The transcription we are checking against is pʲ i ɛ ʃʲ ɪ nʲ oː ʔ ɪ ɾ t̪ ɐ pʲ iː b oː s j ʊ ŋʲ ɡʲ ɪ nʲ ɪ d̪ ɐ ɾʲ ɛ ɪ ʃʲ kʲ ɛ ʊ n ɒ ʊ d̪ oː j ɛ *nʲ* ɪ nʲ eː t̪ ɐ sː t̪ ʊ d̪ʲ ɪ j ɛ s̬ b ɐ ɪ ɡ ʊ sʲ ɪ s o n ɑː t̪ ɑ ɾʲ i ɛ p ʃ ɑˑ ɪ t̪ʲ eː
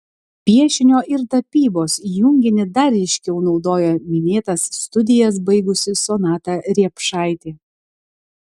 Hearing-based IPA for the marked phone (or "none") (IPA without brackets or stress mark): mʲ